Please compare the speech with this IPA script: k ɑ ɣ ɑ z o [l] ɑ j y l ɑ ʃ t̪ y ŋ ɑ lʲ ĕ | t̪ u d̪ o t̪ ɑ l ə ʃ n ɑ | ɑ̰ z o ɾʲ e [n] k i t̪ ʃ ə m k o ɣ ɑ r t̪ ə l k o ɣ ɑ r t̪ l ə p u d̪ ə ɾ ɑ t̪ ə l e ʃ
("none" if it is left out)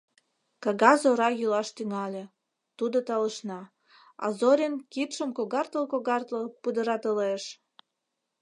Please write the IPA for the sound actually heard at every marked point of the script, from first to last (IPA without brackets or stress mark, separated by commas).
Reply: ɾ, n